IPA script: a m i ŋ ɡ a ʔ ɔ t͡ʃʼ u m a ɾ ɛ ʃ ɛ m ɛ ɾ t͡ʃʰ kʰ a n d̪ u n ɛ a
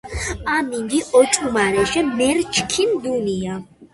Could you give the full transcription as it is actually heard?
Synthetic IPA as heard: a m i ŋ ɡ i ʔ ɔ t͡ʃʼ u m a ɾ ɛ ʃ ɛ m ɛ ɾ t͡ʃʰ kʰ i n d̪ u n i a